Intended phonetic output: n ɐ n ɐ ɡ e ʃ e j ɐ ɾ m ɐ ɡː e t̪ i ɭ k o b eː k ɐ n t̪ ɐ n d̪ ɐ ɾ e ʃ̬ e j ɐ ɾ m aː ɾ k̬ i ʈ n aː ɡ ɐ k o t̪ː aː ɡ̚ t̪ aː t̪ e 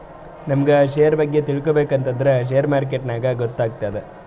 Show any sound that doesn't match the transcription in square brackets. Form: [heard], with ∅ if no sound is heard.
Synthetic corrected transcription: n ɐ [m] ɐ ɡ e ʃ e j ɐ ɾ [b] ɐ ɡː e t̪ i ɭ k o b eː k ɐ n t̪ ɐ n d̪ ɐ ɾ e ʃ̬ e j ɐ ɾ m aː ɾ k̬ [e] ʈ n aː ɡ ɐ [ɡ] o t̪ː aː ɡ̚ t̪ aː [d̪] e